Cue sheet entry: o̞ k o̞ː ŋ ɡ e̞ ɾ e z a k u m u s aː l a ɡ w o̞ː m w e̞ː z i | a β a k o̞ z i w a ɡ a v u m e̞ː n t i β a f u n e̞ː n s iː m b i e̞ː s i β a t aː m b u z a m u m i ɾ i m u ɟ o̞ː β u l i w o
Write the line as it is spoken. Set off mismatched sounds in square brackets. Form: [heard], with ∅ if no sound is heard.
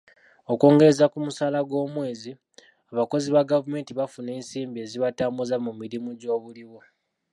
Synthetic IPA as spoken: o̞ k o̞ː ŋ ɡ e̞ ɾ e z a k u m u s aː l a ɡ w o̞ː m w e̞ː z i | a β a k o̞ z i [β] a ɡ a v u m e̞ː n t i β a f u n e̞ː n s iː m b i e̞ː [z] i β a t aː m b u z a m u m i ɾ i m u ɟ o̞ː β u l i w o